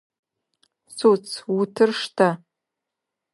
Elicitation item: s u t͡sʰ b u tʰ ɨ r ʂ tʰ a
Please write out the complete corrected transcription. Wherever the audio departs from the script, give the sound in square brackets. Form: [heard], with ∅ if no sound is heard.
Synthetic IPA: s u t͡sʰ [w] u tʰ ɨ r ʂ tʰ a